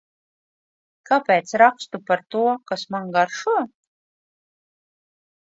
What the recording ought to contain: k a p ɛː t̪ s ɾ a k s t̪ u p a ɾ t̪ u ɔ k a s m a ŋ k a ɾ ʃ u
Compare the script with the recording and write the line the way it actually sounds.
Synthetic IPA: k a p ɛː t̪ s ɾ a k s t̪ u p a ɾ t̪ u ɔ k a s m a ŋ ɡ a ɾ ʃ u